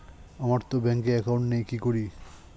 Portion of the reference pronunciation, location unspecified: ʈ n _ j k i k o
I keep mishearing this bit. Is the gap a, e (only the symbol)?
e